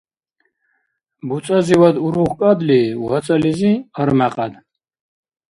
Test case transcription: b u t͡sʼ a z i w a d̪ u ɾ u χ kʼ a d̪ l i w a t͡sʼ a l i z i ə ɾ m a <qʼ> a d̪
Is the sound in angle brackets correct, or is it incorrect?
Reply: correct